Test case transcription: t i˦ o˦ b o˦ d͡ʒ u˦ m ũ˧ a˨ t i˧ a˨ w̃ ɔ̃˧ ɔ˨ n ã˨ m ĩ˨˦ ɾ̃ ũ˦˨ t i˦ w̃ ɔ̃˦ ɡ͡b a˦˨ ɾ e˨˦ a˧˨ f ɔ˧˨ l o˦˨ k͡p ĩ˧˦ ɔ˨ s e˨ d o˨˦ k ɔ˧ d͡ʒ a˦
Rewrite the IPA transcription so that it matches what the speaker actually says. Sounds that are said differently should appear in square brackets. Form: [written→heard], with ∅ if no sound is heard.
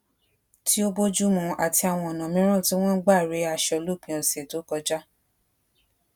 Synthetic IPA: t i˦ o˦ b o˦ d͡ʒ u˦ m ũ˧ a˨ t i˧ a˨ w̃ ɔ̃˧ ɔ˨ n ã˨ m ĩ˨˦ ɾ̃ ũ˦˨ t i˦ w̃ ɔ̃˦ ɡ͡b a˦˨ ɾ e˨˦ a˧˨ [f→ʃ] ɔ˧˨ l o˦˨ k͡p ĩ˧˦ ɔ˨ s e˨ [d→t] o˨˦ k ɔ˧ d͡ʒ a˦